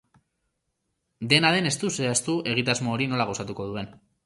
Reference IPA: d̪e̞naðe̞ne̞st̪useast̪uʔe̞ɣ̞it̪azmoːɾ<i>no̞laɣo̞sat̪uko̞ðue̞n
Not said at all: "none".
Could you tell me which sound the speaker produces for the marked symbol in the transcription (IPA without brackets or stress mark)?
i